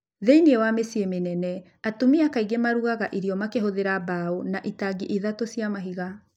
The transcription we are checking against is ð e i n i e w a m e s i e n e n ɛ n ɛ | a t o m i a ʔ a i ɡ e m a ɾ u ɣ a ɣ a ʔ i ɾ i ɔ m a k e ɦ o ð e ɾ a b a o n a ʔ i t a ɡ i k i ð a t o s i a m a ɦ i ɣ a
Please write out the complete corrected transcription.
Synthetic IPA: ð e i n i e w a m e s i e m e n ɛ n ɛ | a t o m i a k a i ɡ e m a ɾ u ɣ a ɣ a ʔ i ɾ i ɔ m a k e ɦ o ð e ɾ a b a o n a ʔ i t a ɡ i ʔ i ð a t o s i a m a ɦ i ɣ a